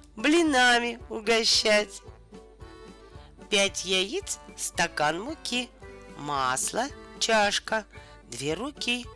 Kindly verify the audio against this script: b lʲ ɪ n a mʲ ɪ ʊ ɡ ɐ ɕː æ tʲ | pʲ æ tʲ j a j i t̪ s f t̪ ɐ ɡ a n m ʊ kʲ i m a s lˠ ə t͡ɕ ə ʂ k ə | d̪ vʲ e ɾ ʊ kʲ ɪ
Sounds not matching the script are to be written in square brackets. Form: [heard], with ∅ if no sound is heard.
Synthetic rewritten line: b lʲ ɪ n a mʲ ɪ ʊ ɡ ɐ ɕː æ tʲ | pʲ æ tʲ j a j i t̪ s [s] t̪ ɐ [k] a n m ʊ kʲ i m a s lˠ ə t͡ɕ [a] ʂ k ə | d̪ vʲ e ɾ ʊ kʲ [i]